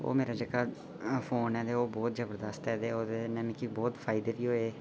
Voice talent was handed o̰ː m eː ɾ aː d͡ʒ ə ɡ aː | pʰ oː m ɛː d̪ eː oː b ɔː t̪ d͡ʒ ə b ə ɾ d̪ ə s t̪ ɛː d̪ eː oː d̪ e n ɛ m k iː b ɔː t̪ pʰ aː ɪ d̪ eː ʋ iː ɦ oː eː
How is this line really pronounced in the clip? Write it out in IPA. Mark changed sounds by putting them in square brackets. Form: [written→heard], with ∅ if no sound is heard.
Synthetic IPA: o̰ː m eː ɾ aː d͡ʒ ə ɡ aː | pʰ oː [m→n] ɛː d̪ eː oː b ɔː t̪ d͡ʒ ə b ə ɾ d̪ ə s t̪ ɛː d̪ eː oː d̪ e n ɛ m k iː b ɔː t̪ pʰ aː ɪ d̪ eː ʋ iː ɦ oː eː